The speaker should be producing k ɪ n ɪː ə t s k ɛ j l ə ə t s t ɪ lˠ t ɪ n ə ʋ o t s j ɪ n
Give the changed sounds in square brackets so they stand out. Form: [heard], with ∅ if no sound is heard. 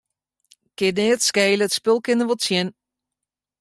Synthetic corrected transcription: k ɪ n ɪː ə t s k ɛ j l ə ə t s [p] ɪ lˠ [k] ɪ n ə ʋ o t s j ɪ n

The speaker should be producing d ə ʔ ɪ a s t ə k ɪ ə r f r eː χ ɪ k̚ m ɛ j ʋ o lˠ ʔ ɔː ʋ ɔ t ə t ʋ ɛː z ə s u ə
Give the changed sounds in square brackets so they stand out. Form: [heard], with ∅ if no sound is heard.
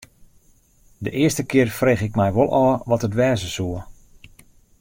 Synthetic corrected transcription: d ə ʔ ɪ [ə] s t ə k ɪ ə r f r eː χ ɪ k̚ m ɛ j ʋ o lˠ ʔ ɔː ʋ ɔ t ə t ʋ ɛː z ə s u ə

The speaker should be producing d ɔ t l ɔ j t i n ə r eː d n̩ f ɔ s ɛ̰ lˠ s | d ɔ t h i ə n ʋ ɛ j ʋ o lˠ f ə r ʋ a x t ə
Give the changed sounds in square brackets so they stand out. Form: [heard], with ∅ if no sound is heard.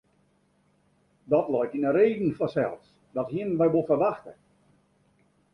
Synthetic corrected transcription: d ɔ t l ɔ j t i n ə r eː d n̩ f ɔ s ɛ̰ lˠ s | d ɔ t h i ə n ʋ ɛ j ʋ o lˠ f ə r ʋ a x t ə

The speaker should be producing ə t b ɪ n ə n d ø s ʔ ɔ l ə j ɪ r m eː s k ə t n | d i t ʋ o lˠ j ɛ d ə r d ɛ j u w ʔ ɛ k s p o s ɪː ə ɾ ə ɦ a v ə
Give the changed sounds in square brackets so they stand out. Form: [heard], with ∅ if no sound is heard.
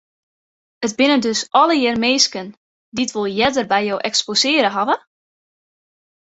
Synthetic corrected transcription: ə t b ɪ n ə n d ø s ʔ ɔ l ə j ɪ r m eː s k ə [∅] n | d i t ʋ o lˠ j ɛ d ə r [b] ɛ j [o] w ʔ ɛ k s p o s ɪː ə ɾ ə ɦ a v ə

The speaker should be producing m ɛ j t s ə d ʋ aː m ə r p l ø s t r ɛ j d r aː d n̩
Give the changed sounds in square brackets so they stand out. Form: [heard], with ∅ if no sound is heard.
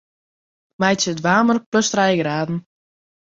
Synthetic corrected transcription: m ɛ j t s ə d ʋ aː m ə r p l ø s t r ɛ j [ɡ] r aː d n̩

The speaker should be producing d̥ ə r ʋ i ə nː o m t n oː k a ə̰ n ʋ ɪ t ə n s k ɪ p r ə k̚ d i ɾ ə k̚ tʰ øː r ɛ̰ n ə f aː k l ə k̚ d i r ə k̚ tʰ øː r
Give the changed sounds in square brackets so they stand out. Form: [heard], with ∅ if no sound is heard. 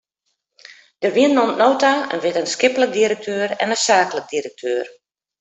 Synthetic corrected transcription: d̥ ə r ʋ i ə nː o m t n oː [t] a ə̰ n ʋ ɪ t ə n s k ɪ p [l] ə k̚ d i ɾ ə k̚ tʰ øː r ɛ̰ n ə [s] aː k l ə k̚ d i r ə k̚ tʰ øː r

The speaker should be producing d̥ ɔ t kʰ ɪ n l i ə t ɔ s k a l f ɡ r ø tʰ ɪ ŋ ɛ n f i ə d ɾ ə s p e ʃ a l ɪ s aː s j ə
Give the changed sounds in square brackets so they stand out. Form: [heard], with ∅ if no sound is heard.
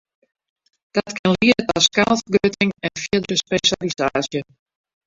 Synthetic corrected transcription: d̥ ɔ t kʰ ɪ n l i ə t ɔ s k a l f ɡ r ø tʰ ɪ ŋ ɛ n f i ə d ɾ ə s p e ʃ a l [i] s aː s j ə

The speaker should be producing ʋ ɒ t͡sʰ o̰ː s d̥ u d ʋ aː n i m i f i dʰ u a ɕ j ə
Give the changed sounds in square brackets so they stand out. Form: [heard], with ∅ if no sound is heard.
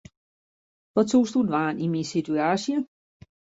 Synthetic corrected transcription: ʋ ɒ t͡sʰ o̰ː s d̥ u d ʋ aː n i m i [s] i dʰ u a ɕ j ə

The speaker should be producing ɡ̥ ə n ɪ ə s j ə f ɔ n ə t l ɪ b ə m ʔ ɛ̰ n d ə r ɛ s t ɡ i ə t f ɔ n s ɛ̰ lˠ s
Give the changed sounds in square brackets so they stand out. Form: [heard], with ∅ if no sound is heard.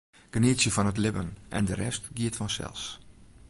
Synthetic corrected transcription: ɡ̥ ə n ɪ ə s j ə f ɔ n ə t l ɪ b ə [n] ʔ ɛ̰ n d ə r ɛ s t ɡ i ə t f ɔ n s ɛ̰ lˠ s

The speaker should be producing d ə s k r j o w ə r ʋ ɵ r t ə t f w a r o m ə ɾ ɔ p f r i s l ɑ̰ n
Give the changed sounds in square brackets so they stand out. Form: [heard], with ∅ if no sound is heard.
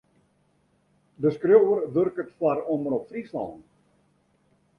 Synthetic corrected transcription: d ə s k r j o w ə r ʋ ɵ r [k] ə t f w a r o m ə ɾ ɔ p f r i s l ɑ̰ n

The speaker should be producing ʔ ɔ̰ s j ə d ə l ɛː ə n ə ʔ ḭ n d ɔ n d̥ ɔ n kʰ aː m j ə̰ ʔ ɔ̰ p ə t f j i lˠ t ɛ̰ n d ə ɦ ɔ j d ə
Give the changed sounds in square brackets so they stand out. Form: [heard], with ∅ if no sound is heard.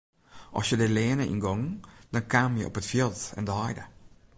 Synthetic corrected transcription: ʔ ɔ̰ s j ə d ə l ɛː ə n ə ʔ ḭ n [ɡ] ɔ [ŋ] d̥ ɔ n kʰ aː m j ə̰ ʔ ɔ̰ p ə t f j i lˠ t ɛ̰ n d ə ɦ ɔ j d ə

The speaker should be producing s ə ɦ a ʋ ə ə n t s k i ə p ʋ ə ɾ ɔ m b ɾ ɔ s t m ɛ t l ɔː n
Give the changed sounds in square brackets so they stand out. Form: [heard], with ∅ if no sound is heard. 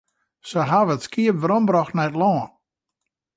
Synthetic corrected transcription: s ə ɦ a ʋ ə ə [∅] t s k i ə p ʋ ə ɾ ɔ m b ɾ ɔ [x] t [n] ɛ t l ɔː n

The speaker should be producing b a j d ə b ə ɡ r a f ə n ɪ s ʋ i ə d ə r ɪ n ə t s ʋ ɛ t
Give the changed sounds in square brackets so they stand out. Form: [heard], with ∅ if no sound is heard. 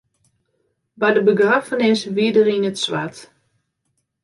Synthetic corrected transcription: b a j d ə b ə ɡ r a f ə n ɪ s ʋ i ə d ə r [i] n ə t s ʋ [a] t

